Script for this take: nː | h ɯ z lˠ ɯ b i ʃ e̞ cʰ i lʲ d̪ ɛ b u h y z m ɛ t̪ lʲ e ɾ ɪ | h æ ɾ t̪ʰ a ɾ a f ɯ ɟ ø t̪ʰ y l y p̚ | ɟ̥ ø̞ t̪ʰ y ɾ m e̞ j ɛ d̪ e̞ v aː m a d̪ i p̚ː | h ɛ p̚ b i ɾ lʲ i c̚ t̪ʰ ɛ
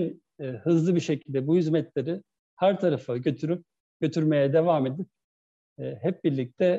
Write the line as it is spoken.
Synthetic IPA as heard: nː | h ɯ z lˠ ɯ b i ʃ e̞ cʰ i lʲ d̪ ɛ b u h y z m ɛ t̪ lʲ e ɾ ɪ | h æ ɾ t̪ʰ a ɾ a f ɯ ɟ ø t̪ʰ y ɾ y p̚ | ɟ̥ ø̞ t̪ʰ y ɾ m e̞ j ɛ d̪ e̞ v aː m e d̪ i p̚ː | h ɛ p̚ b i ɾ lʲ i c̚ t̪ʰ ɛ